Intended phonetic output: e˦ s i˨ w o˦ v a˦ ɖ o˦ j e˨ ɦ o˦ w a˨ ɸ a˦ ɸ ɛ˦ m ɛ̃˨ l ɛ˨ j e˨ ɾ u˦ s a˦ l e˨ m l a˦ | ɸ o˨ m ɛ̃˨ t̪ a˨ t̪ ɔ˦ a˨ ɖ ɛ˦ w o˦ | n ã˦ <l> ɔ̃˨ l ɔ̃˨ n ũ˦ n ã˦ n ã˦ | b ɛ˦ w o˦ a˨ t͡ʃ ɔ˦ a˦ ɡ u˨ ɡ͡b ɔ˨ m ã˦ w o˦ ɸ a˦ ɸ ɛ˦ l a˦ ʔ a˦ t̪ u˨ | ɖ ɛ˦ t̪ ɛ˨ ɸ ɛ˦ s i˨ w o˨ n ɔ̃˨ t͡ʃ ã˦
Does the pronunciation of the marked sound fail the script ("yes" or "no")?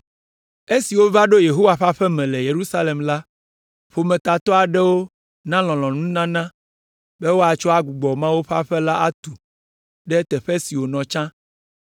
no